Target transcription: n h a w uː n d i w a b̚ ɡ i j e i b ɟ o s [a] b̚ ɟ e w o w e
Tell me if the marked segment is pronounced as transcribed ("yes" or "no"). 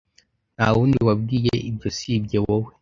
no